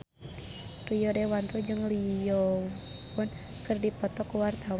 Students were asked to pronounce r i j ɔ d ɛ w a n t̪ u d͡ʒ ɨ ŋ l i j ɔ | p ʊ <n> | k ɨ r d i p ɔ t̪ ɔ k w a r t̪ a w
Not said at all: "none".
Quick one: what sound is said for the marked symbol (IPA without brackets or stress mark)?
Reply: n